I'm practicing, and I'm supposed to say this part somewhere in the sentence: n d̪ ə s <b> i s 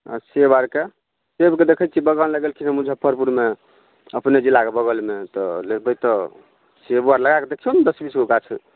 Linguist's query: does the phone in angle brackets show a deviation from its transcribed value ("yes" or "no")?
no